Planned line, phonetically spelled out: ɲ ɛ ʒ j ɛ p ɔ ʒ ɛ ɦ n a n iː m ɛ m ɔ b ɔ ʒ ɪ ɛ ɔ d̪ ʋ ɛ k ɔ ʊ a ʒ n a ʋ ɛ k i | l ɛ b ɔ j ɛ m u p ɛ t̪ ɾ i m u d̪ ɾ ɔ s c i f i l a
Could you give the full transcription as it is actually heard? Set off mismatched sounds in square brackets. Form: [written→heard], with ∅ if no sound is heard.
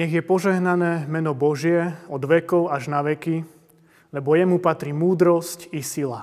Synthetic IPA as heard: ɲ ɛ [ʒ→ɣ] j ɛ p ɔ ʒ ɛ ɦ n a n [iː→ɛː] m ɛ [m→n] ɔ b ɔ ʒ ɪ ɛ ɔ d̪ ʋ ɛ k ɔ ʊ a ʒ n a ʋ ɛ k i | l ɛ b ɔ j ɛ m u p [ɛ→a] t̪ ɾ i m [u→uː] d̪ ɾ ɔ s c i [f→s] i l a